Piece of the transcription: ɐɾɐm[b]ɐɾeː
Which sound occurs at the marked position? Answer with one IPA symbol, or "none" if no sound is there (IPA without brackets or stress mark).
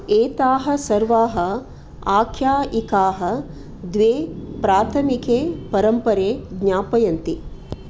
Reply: p